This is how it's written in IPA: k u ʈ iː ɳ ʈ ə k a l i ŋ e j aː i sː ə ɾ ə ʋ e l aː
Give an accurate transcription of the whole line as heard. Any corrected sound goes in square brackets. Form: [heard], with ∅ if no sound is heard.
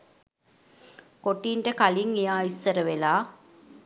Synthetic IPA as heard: k [o] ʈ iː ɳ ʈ ə k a l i ŋ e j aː i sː ə ɾ ə ʋ e l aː